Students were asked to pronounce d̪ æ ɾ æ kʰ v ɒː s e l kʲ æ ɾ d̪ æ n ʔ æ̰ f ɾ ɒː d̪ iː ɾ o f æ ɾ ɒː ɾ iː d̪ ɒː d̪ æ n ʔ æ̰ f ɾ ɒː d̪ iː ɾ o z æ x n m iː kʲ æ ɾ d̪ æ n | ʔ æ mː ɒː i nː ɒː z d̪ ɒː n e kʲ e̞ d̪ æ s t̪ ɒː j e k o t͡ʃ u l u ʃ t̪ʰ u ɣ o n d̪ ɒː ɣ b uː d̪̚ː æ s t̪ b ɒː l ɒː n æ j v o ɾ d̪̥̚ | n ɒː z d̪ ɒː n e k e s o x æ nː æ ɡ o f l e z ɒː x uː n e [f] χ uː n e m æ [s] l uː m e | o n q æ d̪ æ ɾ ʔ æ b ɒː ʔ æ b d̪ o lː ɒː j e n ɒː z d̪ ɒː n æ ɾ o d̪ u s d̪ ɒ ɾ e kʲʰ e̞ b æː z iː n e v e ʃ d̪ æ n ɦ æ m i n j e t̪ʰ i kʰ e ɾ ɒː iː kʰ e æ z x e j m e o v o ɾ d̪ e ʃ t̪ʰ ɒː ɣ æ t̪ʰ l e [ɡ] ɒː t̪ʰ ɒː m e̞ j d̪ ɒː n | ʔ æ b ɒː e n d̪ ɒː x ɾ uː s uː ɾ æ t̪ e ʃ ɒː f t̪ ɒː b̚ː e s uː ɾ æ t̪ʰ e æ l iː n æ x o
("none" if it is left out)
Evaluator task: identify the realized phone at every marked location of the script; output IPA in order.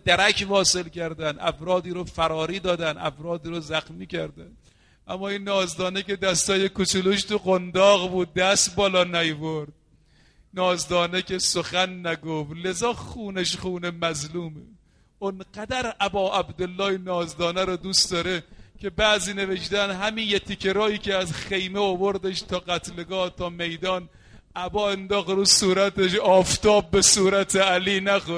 ʃ, z, ɡ

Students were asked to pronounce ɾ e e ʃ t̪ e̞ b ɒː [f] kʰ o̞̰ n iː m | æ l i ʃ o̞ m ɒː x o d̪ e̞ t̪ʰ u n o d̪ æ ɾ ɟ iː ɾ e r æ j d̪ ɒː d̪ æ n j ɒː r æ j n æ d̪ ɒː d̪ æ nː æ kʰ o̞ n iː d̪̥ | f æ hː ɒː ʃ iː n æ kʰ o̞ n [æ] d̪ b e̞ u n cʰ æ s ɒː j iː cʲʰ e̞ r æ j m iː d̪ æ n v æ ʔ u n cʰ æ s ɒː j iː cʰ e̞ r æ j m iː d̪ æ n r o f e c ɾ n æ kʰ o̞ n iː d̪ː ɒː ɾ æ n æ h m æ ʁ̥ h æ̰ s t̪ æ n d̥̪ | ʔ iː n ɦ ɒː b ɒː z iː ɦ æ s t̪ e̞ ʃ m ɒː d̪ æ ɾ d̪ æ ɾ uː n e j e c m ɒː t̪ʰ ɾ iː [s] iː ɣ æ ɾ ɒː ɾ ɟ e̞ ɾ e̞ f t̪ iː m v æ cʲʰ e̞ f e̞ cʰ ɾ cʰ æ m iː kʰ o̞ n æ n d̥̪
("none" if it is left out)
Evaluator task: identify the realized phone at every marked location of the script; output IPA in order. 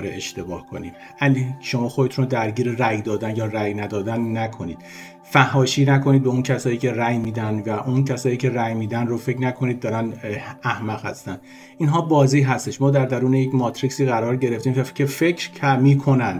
h, i, s

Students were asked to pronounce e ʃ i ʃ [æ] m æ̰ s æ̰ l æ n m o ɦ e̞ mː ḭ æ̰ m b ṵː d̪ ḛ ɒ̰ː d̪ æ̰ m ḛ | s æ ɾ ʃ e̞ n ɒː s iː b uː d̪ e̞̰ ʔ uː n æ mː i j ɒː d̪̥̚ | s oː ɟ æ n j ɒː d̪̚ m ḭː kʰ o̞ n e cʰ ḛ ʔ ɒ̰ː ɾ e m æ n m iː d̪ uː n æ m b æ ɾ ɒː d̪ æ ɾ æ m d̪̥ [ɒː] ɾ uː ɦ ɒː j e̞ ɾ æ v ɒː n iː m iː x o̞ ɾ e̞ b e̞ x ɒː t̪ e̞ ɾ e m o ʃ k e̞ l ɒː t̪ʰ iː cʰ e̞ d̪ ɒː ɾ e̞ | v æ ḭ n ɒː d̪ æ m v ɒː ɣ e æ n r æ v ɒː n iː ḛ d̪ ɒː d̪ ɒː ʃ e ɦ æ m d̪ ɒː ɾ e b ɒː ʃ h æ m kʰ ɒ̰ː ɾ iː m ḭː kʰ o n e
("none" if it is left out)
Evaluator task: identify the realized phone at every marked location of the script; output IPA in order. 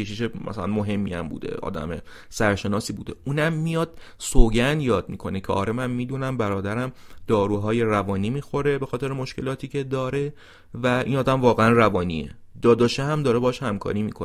e, ɒː

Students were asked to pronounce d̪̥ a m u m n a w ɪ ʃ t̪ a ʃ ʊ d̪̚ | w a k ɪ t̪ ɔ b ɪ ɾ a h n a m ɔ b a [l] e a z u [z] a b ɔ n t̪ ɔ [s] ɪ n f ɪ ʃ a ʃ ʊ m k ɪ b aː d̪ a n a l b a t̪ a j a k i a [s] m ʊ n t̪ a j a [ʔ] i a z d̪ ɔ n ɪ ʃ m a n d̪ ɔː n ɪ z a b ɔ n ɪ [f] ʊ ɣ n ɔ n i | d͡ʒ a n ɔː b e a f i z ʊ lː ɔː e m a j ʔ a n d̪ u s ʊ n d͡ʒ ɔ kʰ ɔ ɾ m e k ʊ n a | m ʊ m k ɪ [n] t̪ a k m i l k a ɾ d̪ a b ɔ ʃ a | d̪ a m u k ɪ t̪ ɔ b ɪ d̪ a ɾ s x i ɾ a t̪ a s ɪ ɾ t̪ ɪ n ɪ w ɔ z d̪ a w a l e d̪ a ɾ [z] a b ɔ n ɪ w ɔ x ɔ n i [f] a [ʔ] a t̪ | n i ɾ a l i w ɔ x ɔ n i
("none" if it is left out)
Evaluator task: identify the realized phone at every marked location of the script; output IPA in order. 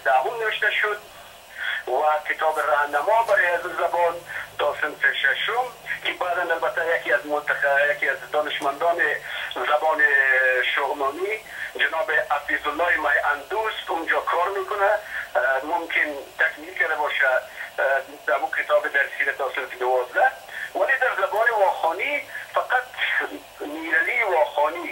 ɾ, z, s, z, k, ʃ, n, z, f, q

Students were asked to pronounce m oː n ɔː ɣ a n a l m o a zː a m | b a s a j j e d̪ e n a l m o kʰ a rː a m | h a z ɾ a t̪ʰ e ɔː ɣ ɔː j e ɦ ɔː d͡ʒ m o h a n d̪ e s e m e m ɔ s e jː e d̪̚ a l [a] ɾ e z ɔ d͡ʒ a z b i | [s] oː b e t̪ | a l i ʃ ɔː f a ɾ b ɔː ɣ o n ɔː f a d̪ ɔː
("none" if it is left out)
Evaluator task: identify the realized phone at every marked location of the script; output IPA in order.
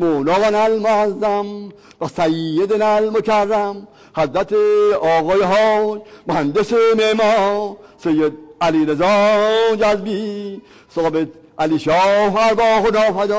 i, s

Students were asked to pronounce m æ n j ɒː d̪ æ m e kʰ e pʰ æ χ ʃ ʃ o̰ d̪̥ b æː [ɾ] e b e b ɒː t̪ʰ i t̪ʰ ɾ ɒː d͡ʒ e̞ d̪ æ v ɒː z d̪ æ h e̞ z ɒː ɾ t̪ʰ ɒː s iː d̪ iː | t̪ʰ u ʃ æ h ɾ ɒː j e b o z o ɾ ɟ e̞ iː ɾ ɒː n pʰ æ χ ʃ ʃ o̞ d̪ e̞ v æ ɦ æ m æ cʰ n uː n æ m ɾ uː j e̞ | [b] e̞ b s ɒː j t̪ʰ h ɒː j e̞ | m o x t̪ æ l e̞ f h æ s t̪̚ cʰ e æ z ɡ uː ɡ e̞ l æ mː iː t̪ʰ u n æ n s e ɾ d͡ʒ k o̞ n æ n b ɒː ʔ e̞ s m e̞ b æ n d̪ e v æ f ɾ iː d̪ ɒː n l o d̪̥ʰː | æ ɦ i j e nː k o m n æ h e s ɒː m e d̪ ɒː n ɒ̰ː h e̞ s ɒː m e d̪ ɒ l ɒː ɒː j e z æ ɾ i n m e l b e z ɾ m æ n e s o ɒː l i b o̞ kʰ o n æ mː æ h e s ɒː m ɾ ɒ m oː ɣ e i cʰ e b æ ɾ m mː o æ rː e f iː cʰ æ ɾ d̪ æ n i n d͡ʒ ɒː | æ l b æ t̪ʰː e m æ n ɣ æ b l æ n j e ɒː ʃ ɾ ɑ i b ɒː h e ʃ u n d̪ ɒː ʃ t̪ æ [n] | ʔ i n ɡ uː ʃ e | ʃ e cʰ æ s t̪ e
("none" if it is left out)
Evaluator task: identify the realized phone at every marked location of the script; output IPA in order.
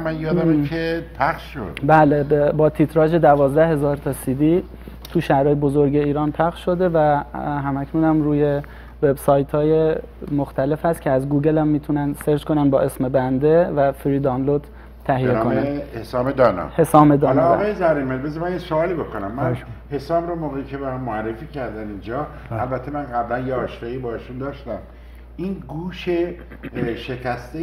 l, v, m

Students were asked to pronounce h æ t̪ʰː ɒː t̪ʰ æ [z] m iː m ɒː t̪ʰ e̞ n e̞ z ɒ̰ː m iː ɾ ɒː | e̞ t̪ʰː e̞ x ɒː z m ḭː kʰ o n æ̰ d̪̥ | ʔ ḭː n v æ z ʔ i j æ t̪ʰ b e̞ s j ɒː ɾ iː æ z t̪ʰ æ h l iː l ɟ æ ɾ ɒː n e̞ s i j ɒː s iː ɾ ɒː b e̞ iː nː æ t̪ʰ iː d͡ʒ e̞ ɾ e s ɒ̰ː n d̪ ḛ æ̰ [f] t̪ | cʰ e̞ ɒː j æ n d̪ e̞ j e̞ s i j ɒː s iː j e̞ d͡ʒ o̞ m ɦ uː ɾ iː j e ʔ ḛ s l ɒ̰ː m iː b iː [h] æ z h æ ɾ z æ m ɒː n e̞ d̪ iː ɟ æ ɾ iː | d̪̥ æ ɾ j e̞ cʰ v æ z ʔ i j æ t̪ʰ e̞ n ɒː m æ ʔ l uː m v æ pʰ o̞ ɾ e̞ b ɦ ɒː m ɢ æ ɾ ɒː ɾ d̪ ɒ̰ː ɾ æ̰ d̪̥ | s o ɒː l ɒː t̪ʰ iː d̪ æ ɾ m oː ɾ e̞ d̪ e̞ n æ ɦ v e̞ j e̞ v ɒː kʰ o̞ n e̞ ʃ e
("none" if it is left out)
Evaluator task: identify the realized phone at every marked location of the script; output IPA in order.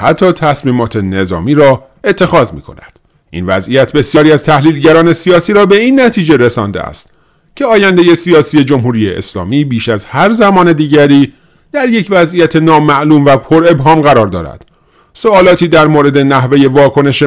s, s, ʃ

